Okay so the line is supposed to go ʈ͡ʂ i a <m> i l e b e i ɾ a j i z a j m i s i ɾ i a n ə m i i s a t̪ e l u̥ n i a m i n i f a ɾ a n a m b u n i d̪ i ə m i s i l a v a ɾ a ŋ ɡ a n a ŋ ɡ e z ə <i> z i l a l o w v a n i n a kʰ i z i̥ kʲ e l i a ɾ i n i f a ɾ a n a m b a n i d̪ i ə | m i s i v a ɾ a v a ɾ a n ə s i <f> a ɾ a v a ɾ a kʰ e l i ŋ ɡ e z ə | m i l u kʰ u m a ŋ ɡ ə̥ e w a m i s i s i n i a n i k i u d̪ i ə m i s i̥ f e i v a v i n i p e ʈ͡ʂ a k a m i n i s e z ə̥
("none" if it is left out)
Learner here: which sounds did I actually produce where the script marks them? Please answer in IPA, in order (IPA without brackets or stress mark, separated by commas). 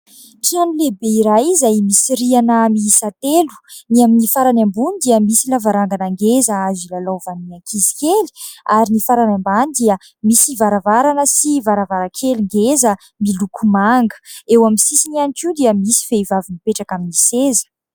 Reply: n, a, v